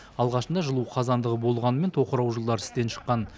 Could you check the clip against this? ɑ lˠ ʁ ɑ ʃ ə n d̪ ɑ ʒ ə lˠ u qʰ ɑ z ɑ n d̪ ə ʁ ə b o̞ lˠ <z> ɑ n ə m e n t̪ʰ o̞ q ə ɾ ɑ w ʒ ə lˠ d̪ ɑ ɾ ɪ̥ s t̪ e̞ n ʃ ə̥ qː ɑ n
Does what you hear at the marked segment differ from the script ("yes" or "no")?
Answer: yes